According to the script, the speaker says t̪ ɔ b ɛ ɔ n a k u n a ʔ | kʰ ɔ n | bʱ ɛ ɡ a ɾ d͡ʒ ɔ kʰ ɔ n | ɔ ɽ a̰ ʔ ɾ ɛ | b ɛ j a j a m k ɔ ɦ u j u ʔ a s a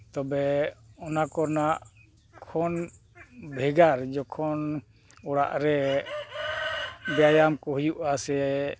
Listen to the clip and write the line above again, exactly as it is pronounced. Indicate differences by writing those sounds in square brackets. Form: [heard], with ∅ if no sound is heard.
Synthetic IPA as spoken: t̪ ɔ b ɛ ɔ n a k [ɔ] n a ʔ | kʰ ɔ n | bʱ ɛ ɡ a ɾ d͡ʒ ɔ kʰ ɔ n | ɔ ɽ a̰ ʔ ɾ ɛ | b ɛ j a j a m k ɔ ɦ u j u ʔ a s [ɛ]